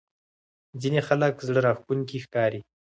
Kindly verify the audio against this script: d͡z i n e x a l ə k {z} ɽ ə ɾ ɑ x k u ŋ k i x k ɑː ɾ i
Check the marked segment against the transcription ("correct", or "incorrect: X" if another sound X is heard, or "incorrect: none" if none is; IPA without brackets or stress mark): correct